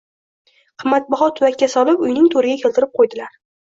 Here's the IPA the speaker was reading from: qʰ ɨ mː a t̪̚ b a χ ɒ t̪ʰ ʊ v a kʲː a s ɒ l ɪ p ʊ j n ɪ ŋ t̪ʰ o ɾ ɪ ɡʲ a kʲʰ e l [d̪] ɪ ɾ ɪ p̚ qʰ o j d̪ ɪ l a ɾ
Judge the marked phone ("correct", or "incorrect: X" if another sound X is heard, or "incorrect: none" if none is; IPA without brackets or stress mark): incorrect: t̪